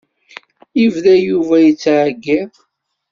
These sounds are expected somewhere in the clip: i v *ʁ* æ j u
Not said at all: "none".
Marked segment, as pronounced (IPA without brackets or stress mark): ð